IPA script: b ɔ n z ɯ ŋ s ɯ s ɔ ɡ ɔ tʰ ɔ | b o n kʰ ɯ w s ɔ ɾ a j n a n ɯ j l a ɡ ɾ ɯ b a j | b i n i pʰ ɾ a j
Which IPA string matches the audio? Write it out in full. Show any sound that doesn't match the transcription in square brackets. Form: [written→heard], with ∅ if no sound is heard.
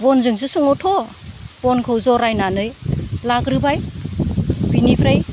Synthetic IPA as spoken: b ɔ n z ɯ ŋ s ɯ s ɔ [ɡ→ŋ] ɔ tʰ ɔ | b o n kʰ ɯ w [s→z] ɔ ɾ a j n a n ɯ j l a ɡ ɾ ɯ b a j | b i n i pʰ ɾ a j